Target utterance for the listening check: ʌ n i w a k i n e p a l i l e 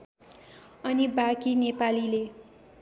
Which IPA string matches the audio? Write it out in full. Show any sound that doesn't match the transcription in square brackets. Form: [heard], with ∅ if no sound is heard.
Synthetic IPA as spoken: ʌ n i [b] a k i n e p a l i l e